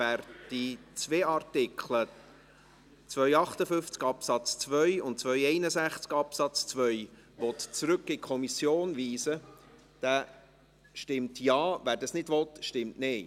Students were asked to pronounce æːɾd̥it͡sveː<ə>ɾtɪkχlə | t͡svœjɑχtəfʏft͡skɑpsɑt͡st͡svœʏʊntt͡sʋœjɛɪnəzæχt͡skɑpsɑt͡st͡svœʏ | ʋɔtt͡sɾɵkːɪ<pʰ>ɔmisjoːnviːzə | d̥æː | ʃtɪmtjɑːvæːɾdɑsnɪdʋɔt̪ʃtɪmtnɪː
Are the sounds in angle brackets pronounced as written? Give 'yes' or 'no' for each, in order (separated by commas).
no, no